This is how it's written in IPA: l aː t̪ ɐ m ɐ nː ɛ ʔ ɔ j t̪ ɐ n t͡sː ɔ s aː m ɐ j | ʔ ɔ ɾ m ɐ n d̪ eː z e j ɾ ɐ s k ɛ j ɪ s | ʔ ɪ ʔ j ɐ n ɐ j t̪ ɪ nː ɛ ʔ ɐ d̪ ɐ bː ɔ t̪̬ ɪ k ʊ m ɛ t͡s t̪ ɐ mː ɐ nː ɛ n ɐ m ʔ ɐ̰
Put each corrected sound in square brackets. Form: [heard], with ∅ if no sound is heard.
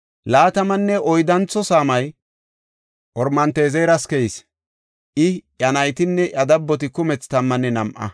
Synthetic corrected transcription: l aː t̪ ɐ m ɐ nː ɛ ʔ ɔ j [d̪] ɐ n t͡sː ɔ s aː m ɐ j | ʔ ɔ ɾ m ɐ n [t̪] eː z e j ɾ ɐ s k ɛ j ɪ s | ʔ ɪ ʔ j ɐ n ɐ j t̪ ɪ nː ɛ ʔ ɐ d̪ ɐ bː ɔ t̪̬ ɪ k ʊ m ɛ t͡s t̪ ɐ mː ɐ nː ɛ n ɐ m ʔ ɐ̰